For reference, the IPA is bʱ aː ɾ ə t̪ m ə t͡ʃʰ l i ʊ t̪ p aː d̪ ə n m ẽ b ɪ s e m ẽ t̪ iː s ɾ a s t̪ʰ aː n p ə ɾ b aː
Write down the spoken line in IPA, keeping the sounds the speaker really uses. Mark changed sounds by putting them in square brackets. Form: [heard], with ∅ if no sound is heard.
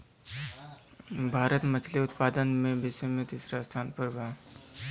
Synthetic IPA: bʱ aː ɾ ə t̪ m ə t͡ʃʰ l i ʊ t̪ p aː d̪ ə n m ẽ b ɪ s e m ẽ t̪ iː s ɾ a s t̪ʰ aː n p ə ɾ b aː